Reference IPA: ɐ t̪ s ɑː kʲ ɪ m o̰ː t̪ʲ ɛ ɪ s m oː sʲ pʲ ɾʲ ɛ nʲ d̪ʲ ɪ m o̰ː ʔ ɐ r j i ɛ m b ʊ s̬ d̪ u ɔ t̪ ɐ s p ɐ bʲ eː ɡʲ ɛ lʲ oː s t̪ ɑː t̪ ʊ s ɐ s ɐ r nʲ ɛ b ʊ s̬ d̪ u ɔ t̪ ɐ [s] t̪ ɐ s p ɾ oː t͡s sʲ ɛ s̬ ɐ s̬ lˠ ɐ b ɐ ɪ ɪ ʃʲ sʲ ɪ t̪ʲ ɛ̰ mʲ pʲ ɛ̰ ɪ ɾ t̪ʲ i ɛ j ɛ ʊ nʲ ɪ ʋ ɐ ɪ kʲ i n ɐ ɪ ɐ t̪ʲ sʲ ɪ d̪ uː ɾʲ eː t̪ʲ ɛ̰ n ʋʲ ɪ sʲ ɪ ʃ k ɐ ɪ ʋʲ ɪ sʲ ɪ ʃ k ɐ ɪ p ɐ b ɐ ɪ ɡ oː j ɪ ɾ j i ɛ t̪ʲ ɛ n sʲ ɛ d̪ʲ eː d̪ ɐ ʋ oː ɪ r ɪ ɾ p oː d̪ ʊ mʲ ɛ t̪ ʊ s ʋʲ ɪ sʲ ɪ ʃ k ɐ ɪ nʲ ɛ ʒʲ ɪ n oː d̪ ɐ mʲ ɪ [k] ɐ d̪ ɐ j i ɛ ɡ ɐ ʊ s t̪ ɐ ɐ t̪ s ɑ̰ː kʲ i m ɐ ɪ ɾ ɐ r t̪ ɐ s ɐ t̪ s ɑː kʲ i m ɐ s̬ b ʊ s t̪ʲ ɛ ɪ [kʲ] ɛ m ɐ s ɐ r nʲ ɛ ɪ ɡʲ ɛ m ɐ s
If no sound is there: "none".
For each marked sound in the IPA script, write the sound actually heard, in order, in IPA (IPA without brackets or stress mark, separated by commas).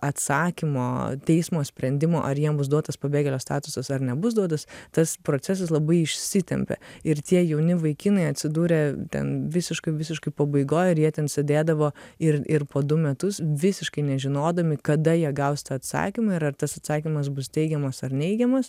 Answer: s, k, ɡʲ